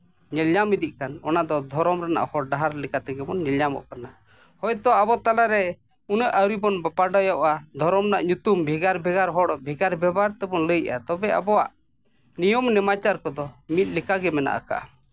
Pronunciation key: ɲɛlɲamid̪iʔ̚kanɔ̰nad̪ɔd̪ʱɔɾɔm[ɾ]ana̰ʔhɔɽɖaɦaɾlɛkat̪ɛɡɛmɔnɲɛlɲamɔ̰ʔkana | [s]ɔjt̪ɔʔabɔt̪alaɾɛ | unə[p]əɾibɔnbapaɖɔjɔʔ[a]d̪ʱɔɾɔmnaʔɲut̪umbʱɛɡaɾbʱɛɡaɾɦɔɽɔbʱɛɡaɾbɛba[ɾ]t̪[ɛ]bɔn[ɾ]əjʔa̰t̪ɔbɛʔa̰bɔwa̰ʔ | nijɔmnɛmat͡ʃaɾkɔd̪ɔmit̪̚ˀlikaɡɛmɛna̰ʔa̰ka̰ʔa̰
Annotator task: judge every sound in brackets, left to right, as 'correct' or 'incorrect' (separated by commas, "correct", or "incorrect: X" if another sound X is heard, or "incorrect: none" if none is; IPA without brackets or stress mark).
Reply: correct, incorrect: h, incorrect: ʔ, correct, correct, correct, incorrect: l